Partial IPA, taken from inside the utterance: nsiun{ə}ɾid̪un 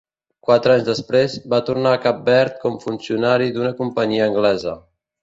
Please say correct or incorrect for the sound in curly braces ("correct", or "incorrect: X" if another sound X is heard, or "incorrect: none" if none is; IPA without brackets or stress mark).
incorrect: a